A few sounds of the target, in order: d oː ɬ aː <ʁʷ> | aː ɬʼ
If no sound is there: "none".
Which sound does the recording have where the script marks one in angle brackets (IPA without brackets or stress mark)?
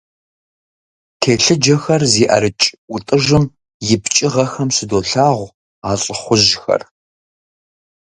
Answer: ʁʷ